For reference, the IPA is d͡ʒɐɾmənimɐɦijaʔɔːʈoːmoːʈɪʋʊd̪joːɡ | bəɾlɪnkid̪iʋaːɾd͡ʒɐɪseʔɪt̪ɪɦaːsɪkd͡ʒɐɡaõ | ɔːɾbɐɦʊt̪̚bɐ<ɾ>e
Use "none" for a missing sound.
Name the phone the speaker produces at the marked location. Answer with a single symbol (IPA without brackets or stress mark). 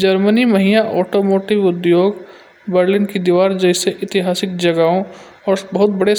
ɽ